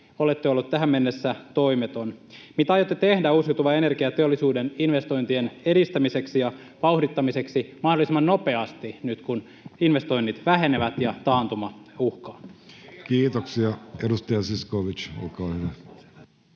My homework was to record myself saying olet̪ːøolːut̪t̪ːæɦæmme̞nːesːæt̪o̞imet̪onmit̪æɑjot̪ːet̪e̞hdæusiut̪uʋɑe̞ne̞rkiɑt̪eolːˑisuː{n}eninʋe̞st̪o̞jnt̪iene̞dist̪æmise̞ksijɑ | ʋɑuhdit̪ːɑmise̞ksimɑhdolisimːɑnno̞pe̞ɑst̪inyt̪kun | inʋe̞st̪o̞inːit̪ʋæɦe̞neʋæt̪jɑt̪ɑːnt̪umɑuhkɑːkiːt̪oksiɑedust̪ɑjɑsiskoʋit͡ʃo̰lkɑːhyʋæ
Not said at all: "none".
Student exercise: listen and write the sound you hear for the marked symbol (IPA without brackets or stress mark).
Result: d